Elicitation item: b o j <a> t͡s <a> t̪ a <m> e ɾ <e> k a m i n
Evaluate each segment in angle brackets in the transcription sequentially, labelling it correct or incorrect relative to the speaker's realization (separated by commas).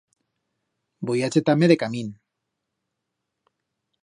correct, incorrect, correct, correct